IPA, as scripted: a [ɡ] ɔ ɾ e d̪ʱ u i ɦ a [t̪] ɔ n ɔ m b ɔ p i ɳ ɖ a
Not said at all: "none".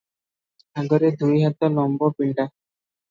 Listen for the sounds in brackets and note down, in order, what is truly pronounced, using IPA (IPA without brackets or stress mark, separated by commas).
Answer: ɡ, t̪